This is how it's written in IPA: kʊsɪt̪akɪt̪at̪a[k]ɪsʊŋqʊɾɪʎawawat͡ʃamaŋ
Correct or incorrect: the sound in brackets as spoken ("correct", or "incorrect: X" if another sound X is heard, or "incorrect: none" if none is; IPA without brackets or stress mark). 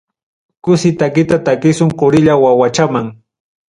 correct